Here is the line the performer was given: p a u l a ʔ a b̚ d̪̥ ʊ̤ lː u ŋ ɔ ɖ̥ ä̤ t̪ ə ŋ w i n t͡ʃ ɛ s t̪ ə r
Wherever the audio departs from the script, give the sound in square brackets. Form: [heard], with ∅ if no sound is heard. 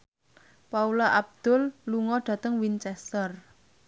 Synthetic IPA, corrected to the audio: p a u l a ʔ a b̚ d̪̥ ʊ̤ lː u ŋ ɔ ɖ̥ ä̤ t̪ ə ŋ w i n t͡ʃ ɛ s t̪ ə r